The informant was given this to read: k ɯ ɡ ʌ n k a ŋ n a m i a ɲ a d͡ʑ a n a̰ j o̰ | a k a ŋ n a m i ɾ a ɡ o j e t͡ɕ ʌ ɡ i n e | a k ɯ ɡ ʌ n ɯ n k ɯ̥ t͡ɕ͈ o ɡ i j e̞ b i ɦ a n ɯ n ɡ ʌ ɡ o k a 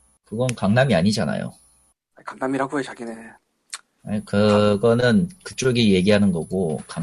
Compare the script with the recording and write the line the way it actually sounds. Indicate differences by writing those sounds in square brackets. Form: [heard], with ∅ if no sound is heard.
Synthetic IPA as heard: k ɯ ɡ ʌ n k a ŋ n a m i a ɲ [i] d͡ʑ a n a̰ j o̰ | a k a ŋ n a m i ɾ a ɡ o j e t͡ɕ [a] ɡ i n e | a k ɯ ɡ ʌ n ɯ n k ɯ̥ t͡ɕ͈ o ɡ i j e̞ [ɡ] i ɦ a n ɯ n ɡ ʌ ɡ o k a